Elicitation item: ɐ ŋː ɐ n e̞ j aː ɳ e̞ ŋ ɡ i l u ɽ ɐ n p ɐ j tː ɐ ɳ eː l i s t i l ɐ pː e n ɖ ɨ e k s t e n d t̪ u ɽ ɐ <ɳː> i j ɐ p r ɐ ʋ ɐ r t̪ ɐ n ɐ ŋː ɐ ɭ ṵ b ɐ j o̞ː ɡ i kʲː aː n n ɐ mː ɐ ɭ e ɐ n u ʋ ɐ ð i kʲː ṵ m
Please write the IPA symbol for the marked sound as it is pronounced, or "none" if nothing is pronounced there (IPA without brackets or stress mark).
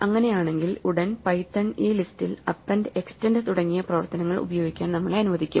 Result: ŋː